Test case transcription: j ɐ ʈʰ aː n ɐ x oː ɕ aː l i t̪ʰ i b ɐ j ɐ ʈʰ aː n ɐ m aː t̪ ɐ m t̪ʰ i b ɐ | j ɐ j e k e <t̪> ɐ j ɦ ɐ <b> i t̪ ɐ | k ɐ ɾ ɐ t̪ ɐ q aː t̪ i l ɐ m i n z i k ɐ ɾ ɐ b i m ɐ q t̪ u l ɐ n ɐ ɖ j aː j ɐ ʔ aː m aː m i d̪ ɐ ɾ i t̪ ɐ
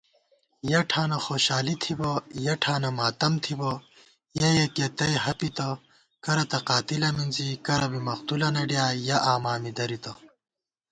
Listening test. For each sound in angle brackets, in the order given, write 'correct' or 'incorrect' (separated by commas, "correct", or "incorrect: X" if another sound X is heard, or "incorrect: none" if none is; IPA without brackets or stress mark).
correct, incorrect: p